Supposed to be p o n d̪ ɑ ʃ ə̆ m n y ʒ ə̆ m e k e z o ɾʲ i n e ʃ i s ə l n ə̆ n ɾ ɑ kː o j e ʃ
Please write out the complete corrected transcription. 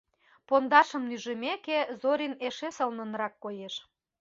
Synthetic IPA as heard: p o n d̪ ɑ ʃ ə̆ m n y ʒ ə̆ m e k e z o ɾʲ i n e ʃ e s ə l n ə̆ n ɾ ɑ kː o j e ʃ